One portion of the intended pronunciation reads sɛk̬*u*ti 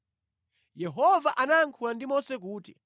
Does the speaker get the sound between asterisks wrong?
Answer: yes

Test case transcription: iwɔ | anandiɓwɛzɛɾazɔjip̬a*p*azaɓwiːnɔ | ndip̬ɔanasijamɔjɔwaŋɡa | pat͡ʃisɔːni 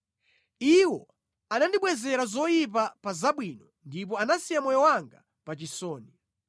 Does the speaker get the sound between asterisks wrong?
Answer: no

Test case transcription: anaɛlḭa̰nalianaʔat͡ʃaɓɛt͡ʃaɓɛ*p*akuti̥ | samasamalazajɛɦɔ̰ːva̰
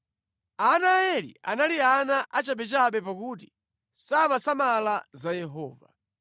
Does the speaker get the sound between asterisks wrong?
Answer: no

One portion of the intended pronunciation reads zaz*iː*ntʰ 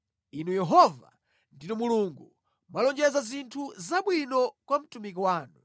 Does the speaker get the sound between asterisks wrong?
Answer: yes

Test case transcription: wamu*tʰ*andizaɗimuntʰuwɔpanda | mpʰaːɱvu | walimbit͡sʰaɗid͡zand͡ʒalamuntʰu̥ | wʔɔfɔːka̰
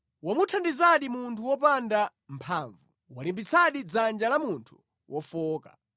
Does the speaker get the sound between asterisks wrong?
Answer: no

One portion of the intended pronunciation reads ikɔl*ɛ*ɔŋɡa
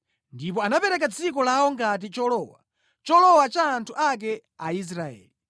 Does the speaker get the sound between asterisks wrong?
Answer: yes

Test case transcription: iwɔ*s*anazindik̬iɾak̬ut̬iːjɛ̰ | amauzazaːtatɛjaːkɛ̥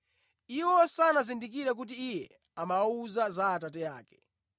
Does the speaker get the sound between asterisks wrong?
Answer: no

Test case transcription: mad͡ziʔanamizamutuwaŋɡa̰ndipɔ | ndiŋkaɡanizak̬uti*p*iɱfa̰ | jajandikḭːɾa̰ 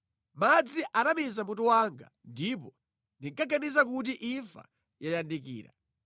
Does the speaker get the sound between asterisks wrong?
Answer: yes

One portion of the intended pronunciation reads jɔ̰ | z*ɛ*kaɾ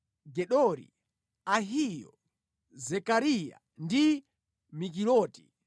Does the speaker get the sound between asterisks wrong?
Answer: no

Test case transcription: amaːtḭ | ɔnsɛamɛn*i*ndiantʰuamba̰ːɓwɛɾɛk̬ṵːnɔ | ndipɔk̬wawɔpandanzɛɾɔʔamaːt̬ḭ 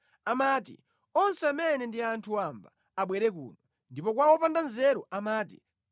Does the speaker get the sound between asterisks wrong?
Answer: yes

